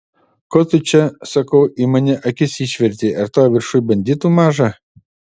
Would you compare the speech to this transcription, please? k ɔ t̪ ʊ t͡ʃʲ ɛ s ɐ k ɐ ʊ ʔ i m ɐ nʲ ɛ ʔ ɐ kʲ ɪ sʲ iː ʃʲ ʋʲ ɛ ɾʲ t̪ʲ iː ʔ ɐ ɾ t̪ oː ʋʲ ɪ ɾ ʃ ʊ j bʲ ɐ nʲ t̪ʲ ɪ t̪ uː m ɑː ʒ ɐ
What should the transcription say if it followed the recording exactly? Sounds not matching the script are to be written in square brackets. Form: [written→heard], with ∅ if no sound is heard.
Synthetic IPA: k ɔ t̪ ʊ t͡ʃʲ ɛ s ɐ k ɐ ʊ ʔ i m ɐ nʲ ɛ ʔ ɐ kʲ ɪ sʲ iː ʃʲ ʋʲ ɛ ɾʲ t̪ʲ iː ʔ ɐ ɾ t̪ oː ʋʲ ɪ ɾ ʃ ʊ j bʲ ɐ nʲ [t̪ʲ→d̪ʲ] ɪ t̪ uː m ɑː ʒ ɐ